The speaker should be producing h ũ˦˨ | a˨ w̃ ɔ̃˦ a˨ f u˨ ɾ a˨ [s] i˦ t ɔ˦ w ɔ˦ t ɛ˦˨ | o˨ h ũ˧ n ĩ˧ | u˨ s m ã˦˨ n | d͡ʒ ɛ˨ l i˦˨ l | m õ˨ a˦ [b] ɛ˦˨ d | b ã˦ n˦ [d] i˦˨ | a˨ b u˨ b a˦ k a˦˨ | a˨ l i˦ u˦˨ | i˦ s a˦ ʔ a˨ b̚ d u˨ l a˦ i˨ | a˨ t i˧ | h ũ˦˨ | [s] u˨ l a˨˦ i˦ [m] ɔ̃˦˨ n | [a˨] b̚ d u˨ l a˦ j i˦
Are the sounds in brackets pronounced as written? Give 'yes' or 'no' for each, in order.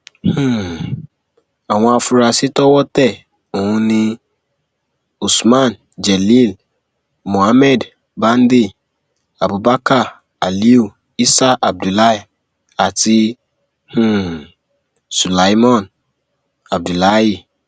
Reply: yes, no, yes, yes, yes, yes

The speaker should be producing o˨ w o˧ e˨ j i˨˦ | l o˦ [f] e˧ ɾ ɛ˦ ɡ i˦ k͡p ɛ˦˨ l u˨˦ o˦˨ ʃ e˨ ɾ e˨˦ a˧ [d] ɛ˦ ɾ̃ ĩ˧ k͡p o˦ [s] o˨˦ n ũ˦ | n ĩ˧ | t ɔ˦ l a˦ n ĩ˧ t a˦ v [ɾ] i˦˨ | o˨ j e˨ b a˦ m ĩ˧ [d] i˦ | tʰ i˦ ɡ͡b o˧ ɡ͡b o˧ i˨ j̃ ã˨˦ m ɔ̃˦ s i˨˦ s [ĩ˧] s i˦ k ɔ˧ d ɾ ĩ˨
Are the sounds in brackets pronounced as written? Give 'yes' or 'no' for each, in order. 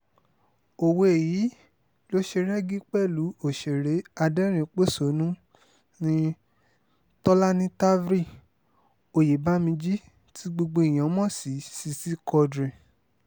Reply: no, yes, yes, yes, no, no

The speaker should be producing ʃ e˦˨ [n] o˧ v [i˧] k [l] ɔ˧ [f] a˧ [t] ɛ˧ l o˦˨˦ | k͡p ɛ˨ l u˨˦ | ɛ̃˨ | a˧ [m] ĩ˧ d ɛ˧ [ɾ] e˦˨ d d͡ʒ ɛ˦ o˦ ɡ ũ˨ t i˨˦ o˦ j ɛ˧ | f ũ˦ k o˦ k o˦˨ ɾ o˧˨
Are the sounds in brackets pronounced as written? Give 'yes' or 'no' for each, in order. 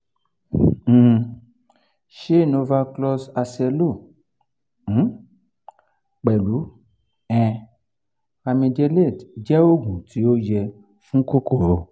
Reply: yes, no, yes, no, no, yes, no

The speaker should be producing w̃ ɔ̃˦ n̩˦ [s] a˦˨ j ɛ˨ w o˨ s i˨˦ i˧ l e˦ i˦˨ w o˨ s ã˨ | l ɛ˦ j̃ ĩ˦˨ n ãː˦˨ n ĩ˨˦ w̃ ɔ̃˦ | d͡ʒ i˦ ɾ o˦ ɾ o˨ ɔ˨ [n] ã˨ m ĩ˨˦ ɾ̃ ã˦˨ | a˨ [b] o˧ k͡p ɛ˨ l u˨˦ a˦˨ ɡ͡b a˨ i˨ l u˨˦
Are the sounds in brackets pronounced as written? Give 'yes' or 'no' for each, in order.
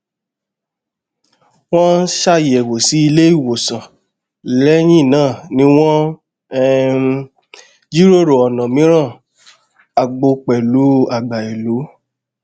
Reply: no, yes, no

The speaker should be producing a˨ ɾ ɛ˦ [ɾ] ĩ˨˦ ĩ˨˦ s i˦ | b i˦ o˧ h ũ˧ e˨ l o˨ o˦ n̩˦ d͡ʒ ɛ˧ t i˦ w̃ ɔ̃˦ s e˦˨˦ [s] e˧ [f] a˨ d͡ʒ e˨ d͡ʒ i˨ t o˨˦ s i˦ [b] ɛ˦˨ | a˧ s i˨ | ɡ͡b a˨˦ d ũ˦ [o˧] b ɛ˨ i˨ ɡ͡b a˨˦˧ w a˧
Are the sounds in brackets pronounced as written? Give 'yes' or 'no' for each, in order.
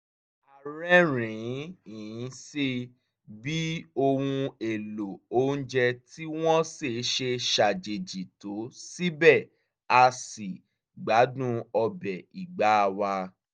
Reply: yes, no, no, yes, no

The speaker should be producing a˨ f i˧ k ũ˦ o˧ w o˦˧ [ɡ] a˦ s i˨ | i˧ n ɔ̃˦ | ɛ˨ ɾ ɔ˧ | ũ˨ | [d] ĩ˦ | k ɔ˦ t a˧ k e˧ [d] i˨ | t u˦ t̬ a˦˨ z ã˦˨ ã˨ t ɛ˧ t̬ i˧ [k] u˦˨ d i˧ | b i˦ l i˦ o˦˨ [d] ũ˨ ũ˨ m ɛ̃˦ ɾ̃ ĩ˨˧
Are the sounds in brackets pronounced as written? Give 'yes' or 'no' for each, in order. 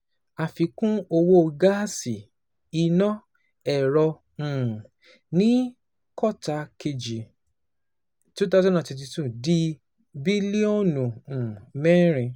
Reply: yes, no, no, no, no

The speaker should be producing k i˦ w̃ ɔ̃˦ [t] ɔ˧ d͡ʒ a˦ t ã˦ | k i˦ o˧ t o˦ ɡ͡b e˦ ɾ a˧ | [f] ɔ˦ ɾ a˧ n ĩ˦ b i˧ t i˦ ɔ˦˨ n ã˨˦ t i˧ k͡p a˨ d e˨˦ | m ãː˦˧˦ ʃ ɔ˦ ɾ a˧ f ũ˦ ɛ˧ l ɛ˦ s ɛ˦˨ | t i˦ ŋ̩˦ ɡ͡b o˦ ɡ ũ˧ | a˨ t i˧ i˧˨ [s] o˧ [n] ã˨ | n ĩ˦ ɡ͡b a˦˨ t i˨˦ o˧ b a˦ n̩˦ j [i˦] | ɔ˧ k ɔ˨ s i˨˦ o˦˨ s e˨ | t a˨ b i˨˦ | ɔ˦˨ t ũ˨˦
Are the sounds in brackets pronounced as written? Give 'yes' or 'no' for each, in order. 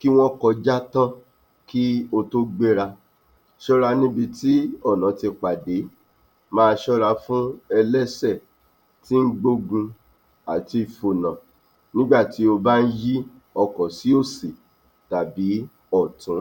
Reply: no, no, no, yes, yes

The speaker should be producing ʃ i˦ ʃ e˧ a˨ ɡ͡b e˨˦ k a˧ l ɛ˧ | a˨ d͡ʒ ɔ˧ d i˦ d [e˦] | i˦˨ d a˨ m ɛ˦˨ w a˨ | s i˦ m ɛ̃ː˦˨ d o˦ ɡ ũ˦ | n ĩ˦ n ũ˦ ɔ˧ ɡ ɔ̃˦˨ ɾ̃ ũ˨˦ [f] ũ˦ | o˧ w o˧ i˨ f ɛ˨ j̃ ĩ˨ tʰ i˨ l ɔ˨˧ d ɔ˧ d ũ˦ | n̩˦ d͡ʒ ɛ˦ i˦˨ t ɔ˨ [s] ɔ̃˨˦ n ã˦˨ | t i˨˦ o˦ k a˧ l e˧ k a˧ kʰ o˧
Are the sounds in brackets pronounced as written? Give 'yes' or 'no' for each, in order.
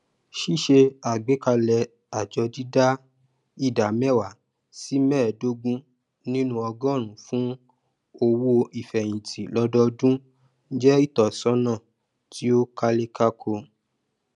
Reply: no, yes, yes

